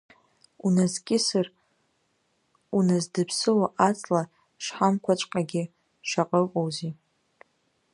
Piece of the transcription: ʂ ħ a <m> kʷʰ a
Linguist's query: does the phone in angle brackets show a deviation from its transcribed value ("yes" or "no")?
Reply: no